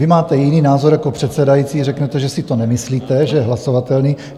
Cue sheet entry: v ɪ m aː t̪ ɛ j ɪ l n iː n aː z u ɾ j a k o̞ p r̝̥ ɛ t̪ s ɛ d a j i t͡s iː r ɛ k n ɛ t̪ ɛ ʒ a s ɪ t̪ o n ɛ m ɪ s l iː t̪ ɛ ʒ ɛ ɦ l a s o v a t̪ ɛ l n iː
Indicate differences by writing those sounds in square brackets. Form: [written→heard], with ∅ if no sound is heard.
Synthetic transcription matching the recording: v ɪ m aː t̪ ɛ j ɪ [l→∅] n iː n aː z [u→o] ɾ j a k o̞ p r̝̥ ɛ t̪ s ɛ d a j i t͡s iː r ɛ k n ɛ t̪ ɛ ʒ [a→ɛ] s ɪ t̪ o n ɛ m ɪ s l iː t̪ ɛ ʒ ɛ ɦ l a s o v a t̪ ɛ l n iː